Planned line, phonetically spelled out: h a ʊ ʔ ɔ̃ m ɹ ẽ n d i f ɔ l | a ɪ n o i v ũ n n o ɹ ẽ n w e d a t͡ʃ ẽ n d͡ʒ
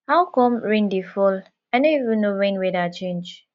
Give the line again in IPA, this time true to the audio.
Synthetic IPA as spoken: h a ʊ k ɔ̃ m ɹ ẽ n d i f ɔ l | a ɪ n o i v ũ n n o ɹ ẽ n w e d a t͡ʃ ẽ n d͡ʒ